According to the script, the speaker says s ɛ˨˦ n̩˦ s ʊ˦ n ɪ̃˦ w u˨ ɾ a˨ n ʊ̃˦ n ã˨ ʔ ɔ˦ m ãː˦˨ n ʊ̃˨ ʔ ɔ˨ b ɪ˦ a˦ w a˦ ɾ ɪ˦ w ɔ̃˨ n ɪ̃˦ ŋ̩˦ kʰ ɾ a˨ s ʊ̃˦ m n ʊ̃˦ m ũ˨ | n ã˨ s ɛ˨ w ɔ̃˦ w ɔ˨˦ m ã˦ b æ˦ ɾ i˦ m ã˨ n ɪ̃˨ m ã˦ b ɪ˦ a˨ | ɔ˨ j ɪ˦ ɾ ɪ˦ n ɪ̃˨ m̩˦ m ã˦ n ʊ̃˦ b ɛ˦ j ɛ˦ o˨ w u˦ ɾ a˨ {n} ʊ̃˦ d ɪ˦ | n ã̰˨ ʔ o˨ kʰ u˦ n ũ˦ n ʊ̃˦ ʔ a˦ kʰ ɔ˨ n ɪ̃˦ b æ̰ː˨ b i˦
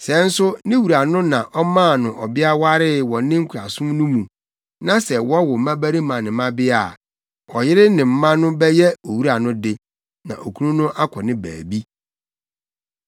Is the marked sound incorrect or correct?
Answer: correct